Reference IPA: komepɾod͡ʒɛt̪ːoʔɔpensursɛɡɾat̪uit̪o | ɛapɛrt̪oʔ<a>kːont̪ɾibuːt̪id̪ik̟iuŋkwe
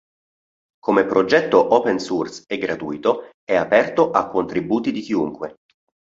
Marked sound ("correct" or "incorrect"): correct